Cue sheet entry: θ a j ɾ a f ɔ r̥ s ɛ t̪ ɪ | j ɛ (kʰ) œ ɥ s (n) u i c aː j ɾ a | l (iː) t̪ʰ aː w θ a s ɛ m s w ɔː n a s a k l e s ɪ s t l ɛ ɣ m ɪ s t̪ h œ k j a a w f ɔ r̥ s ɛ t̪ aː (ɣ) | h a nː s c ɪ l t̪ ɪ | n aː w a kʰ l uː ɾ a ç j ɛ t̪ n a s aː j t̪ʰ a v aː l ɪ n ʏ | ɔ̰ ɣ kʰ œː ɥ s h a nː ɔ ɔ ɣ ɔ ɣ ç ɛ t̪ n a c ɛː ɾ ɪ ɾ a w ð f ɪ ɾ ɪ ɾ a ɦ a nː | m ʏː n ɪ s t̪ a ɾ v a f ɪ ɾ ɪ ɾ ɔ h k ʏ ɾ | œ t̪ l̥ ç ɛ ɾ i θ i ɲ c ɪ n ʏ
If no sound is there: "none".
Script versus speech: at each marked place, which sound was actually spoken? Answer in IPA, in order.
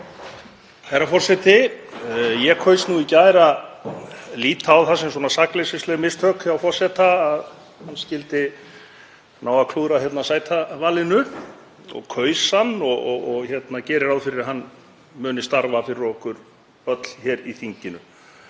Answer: kʰ, n, iː, ð

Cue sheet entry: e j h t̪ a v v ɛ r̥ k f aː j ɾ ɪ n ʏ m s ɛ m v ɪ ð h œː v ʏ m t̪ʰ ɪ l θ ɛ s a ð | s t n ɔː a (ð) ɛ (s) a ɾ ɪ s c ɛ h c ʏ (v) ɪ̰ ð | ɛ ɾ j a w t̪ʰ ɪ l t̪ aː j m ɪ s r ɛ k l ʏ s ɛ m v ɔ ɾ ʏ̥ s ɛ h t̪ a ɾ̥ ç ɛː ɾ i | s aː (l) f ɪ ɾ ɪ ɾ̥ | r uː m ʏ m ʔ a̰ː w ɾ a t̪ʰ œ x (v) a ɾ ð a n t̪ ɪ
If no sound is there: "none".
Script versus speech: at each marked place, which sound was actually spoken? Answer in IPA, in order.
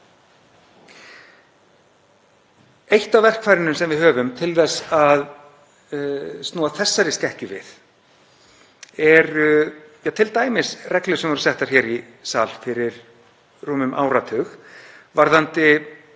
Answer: θ, sː, v, l, v

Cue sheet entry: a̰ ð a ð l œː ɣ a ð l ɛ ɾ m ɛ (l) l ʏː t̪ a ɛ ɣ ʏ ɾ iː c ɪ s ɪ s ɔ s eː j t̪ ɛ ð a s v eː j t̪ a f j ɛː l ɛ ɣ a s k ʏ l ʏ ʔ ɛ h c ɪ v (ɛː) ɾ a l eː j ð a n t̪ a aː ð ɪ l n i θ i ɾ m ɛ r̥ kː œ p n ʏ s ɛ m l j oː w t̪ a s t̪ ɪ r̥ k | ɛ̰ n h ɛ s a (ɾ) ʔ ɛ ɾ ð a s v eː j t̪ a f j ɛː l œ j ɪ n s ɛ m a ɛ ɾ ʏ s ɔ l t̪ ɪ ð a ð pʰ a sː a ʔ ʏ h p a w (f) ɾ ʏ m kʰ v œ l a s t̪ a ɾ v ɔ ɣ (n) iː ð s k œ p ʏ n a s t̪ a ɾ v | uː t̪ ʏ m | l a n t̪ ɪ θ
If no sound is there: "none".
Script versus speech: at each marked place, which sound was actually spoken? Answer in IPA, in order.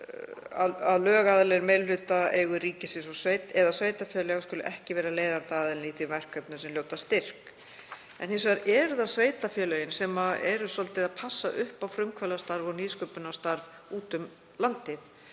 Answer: l, ɛː, ɾ, f, n

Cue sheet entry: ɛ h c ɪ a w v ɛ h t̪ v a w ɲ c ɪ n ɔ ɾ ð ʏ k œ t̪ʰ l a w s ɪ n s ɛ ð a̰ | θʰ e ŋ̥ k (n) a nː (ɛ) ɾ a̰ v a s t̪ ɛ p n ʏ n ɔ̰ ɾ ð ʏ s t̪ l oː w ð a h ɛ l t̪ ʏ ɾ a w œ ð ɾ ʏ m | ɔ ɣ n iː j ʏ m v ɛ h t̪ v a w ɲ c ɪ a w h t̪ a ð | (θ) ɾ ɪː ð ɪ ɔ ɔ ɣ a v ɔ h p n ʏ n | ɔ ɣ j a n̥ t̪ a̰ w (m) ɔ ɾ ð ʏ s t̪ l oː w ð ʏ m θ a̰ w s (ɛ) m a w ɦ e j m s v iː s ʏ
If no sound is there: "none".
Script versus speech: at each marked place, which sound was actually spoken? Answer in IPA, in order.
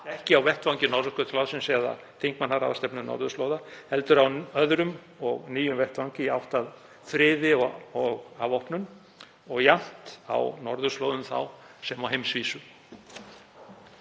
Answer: m, a, f, n, ɛ

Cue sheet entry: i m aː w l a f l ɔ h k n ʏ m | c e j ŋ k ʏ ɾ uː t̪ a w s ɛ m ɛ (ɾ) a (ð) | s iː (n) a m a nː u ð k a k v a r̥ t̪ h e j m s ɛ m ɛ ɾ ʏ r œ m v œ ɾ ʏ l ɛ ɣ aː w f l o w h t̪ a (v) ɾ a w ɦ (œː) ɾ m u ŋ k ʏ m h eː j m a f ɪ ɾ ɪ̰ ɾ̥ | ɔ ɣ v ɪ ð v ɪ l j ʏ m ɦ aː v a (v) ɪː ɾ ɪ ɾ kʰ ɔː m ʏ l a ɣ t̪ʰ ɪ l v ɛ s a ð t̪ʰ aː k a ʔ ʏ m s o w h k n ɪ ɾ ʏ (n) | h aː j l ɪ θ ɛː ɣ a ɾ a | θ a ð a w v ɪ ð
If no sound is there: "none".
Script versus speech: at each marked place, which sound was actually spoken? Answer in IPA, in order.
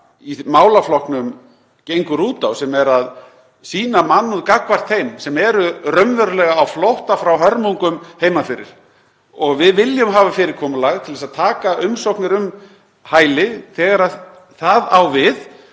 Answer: ɾ, ð, n, f, œ, f, m

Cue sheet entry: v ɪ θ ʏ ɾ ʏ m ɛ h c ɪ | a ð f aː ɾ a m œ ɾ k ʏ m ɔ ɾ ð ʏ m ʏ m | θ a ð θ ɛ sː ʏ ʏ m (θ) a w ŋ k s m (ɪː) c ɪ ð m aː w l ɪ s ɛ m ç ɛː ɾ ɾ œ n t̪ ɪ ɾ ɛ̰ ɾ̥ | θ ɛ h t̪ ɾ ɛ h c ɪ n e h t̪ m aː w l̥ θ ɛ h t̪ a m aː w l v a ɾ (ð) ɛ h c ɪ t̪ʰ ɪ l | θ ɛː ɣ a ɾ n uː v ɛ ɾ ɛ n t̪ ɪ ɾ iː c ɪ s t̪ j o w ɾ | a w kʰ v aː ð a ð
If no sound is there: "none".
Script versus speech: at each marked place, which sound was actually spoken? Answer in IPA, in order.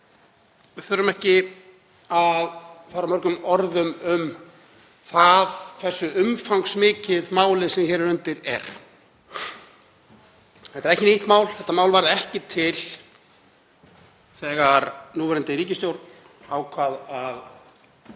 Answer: f, ɪː, ð

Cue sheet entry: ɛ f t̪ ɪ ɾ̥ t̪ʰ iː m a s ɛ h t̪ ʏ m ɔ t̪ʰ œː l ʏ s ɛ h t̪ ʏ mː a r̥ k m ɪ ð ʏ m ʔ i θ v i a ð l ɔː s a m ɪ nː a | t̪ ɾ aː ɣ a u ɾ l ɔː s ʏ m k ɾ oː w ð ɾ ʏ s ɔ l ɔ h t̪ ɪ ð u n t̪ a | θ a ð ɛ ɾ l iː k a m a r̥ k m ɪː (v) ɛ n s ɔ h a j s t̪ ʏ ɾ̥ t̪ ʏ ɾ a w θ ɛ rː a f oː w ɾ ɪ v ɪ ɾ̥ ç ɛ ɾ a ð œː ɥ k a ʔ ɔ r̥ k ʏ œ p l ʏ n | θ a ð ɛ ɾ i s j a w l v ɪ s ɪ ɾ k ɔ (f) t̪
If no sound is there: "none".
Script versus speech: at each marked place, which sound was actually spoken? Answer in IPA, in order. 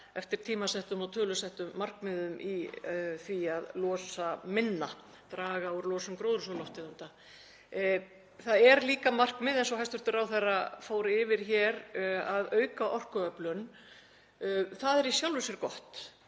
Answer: ð, h

